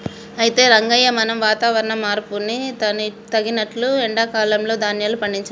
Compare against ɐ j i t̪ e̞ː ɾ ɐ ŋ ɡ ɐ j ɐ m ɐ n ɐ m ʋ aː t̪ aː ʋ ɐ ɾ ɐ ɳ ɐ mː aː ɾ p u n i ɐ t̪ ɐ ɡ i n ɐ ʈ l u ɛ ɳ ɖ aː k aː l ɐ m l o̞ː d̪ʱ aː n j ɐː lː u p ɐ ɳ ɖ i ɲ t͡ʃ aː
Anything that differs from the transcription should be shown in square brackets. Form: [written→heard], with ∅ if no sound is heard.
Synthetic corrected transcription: ɐ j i t̪ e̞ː ɾ ɐ ŋ ɡ ɐ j ɐ m ɐ n ɐ m ʋ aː t̪ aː ʋ ɐ ɾ ɐ ɳ ɐ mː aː ɾ p u n i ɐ t̪ ɐ ɡ i n ɐ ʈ l u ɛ ɳ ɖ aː k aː l ɐ m l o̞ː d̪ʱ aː n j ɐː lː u p ɐ ɳ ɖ i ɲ t͡ʃ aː